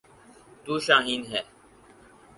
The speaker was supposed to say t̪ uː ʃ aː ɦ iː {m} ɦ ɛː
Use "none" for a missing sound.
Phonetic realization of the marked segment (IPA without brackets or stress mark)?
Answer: n